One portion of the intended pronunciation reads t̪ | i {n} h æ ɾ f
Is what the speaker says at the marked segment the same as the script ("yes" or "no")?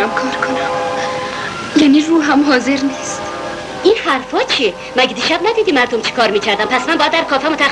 yes